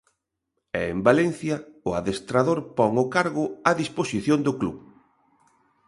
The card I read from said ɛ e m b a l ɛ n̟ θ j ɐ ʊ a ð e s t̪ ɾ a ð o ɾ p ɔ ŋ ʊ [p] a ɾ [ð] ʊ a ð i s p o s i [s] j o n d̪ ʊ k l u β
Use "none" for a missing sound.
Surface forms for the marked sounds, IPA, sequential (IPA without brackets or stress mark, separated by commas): k, ɣ, θ